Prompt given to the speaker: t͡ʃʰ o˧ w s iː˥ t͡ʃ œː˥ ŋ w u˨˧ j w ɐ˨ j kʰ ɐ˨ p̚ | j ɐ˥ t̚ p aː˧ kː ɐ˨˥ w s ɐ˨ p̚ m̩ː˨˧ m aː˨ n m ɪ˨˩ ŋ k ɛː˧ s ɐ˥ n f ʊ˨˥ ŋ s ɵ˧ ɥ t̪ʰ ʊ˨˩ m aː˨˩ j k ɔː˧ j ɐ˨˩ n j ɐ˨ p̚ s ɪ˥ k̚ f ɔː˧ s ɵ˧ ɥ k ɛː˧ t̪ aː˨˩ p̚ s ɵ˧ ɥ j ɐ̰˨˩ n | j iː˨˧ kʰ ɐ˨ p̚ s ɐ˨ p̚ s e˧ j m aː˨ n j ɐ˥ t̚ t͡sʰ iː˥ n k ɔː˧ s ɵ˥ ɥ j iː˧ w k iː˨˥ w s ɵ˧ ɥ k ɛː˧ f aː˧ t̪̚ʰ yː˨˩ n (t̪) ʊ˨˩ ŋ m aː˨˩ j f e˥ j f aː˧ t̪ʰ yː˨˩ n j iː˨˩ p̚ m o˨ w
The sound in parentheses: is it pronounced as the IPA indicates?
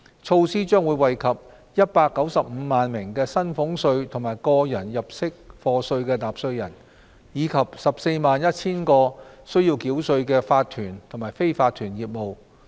no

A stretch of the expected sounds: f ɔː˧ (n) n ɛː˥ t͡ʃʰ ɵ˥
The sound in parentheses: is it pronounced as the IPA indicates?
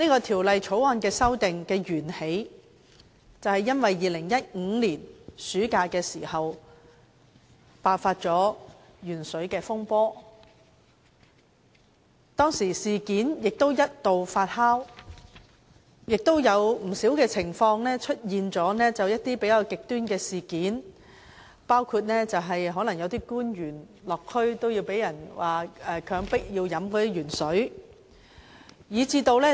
no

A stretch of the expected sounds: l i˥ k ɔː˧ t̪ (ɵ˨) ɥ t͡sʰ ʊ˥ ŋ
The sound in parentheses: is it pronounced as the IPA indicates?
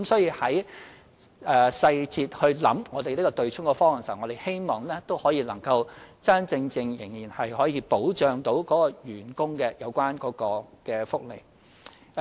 yes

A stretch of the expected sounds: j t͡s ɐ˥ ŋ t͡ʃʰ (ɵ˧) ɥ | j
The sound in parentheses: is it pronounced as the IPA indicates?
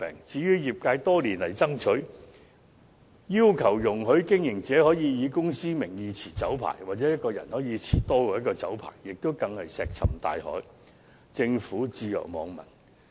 no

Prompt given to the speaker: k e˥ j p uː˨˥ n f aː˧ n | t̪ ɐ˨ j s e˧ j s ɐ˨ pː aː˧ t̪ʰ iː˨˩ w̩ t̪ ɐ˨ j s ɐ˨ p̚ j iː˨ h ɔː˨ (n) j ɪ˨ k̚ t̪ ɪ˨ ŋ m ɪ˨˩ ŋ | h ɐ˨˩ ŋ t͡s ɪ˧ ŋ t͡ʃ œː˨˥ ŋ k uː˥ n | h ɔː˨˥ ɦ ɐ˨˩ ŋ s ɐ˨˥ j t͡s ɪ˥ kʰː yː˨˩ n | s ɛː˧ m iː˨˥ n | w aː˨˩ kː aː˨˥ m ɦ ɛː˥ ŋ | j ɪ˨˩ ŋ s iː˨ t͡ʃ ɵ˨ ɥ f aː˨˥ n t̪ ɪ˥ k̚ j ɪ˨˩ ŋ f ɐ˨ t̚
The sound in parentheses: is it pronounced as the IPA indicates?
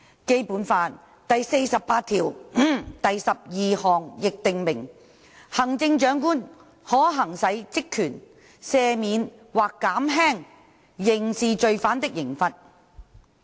no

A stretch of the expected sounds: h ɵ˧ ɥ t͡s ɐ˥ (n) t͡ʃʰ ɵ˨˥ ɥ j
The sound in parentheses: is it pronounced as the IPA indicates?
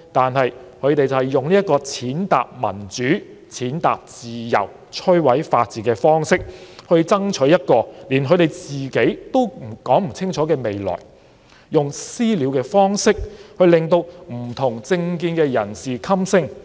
no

